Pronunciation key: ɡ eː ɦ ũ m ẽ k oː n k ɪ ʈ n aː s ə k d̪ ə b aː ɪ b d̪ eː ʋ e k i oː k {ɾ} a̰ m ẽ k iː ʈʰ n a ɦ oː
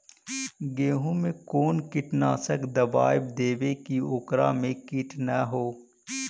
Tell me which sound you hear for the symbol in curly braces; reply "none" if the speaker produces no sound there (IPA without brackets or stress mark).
ɾ